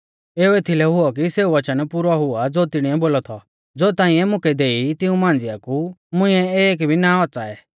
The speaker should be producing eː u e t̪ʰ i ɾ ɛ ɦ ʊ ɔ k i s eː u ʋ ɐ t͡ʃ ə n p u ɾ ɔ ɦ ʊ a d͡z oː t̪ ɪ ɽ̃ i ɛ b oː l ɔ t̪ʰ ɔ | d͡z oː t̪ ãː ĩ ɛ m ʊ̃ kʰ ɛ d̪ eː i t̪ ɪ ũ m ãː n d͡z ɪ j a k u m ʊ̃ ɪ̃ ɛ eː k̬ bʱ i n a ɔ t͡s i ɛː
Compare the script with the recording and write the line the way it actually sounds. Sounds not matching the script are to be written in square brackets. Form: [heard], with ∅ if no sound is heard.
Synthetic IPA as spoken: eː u e t̪ʰ i [l] ɛ ɦ ʊ ɔ k i s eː u ʋ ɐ t͡ʃ ə n p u ɾ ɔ ɦ ʊ a d͡z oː t̪ ɪ ɽ̃ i ɛ b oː l ɔ t̪ʰ ɔ | d͡z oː t̪ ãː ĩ ɛ m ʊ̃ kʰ ɛ d̪ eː i t̪ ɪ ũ m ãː n d͡z ɪ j a k u m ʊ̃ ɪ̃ ɛ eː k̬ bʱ i n a ɔ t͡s [a] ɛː